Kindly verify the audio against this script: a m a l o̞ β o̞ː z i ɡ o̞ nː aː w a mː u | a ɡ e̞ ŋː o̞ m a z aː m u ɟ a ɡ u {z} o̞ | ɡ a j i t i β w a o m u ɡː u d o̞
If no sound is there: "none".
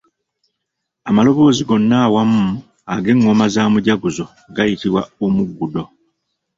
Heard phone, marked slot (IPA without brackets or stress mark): z